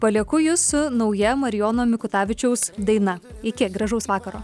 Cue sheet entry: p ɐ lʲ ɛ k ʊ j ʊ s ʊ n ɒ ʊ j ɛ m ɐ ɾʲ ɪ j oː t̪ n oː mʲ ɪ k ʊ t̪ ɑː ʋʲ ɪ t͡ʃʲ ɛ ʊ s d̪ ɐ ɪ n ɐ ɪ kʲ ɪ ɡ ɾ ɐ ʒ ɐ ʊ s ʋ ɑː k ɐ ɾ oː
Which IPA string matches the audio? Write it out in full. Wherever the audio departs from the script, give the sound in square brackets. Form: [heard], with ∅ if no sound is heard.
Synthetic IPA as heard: p ɐ lʲ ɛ k ʊ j ʊ s ʊ n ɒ ʊ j ɛ m ɐ ɾʲ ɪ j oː [∅] n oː mʲ ɪ k ʊ t̪ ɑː ʋʲ ɪ t͡ʃʲ ɛ ʊ s d̪ ɐ ɪ n ɐ ɪ kʲ ɪ ɡ ɾ ɐ ʒ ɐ ʊ s ʋ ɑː k ɐ ɾ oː